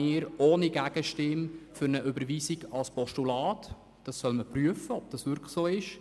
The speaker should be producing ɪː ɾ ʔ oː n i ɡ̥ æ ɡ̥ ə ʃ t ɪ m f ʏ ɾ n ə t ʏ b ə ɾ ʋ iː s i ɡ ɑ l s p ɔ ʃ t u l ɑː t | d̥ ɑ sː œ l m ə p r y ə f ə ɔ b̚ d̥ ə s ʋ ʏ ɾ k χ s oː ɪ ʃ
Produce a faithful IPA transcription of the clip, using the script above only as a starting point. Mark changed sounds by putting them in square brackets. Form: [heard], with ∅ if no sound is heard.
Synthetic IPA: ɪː ɾ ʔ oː n i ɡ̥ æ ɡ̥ ə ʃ t ɪ m f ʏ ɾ n ə [ʔ] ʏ b ə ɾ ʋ iː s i ɡ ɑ l s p ɔ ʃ t u l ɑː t | d̥ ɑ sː œ l m ə p r y ə f ə ɔ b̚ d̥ [ɑ] s ʋ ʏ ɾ k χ s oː ɪ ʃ